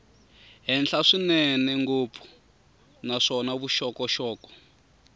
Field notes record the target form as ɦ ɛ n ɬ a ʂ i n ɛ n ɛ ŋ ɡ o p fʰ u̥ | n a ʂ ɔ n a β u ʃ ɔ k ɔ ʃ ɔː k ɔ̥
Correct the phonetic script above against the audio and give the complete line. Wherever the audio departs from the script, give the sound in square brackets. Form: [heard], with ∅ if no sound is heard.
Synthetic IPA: ɦ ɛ n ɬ a ʂ i n ɛ n ɛ ŋ ɡ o p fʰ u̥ | n a ʂ ɔ n a β u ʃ ɔ k ɔ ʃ ɔː k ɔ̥